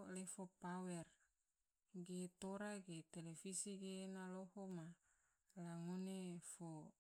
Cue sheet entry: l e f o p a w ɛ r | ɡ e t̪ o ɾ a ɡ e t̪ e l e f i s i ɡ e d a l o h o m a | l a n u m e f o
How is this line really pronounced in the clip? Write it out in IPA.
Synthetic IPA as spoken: l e f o p a w ɛ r | ɡ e t̪ o ɾ a ɡ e t̪ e l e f i s i ɡ e n a l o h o m a | l a ŋ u n e f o